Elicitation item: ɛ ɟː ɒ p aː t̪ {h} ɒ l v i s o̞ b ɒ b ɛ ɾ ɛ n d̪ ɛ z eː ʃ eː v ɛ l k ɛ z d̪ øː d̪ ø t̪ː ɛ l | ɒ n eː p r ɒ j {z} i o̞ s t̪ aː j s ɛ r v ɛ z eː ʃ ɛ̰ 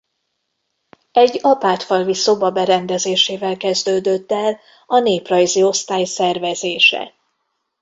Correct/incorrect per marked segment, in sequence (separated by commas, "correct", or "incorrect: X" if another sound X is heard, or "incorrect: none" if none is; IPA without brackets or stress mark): incorrect: f, correct